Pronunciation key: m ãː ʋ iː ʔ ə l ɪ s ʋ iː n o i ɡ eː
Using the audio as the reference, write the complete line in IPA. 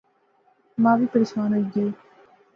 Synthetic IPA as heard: m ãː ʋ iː p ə ɾ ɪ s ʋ aː n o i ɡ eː